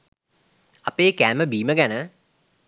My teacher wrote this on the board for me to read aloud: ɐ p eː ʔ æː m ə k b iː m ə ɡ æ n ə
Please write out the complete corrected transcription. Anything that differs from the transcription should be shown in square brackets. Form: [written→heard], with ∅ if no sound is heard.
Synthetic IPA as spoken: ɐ p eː [ʔ→k] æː m ə [k→∅] b iː m ə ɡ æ n ə